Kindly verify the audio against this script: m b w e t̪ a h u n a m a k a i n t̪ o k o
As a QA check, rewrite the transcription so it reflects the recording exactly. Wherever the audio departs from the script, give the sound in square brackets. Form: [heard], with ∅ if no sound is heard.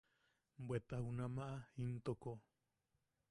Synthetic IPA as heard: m b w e t̪ a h u n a m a [ʔ] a i n t̪ o k o